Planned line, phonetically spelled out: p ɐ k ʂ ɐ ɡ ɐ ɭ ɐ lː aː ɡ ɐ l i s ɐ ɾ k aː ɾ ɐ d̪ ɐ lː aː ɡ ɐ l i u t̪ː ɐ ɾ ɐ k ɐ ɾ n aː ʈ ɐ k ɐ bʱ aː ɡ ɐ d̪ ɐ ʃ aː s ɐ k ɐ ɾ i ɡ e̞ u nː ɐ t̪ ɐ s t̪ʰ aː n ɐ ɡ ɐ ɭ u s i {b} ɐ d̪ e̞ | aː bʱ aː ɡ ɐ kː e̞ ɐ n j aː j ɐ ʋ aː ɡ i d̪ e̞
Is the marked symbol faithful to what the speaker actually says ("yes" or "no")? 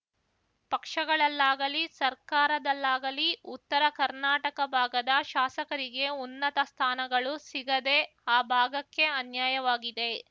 no